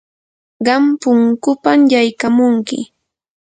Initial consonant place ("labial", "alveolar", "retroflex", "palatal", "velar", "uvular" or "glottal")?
uvular